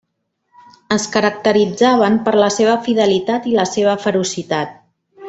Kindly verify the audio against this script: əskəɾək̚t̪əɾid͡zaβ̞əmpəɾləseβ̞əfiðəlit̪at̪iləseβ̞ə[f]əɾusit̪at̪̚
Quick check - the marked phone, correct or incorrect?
correct